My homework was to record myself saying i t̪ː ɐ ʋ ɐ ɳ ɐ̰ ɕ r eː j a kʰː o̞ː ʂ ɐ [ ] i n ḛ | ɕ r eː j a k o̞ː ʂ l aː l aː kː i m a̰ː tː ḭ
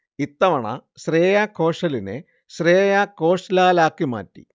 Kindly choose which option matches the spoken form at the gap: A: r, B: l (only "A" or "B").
B